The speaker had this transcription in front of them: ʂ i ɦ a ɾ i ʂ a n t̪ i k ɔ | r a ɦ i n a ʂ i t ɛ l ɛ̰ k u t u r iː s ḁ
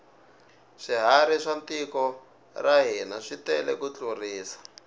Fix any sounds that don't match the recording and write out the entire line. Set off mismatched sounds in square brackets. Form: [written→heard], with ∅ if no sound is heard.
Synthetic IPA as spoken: ʂ i ɦ a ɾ i ʂ a n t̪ i k ɔ | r a ɦ i n a ʂ i t ɛ l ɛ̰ k u [t→t͡ɬ] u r iː s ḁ